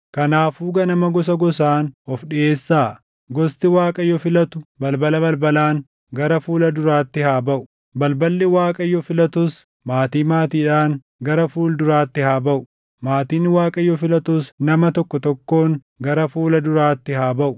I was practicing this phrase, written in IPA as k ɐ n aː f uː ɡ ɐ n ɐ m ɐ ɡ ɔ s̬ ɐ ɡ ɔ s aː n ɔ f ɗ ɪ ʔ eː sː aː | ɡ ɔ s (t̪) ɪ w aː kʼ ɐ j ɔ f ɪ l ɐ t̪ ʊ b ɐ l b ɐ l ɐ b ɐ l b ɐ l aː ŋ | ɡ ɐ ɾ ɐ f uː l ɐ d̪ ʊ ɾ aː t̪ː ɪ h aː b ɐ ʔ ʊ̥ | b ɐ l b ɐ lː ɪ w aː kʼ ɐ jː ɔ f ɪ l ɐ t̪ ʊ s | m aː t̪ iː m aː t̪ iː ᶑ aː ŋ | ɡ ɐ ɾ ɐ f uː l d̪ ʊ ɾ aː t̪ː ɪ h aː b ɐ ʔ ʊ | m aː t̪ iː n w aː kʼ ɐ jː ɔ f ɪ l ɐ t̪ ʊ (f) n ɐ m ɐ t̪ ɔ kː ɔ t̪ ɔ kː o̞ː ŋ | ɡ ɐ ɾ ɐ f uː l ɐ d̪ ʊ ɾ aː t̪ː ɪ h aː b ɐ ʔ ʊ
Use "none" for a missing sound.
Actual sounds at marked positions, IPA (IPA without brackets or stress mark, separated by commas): t̪, s